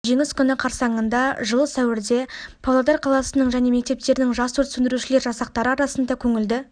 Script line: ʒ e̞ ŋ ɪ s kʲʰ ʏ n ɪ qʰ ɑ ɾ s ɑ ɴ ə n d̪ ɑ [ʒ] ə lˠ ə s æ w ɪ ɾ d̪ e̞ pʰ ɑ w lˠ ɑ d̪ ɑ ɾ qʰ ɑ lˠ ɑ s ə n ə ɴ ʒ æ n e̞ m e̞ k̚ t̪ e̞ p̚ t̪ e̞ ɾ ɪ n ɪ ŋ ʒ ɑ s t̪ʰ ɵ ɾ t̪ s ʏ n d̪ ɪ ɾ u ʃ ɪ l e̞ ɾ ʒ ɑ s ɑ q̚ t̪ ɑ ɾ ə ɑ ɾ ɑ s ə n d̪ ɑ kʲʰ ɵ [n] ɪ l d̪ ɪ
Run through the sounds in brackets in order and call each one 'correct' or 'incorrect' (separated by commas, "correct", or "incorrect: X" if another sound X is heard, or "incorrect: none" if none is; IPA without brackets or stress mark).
correct, incorrect: ŋ